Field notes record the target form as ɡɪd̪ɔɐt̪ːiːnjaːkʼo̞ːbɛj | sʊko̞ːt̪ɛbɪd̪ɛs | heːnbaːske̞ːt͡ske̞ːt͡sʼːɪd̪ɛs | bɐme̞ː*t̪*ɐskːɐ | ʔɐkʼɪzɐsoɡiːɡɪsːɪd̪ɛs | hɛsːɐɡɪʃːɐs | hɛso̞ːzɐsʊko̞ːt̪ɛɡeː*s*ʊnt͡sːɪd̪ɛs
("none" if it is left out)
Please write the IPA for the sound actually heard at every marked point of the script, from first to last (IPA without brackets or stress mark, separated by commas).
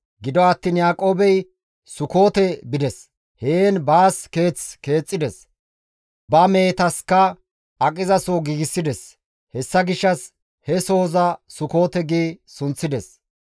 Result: t̪, s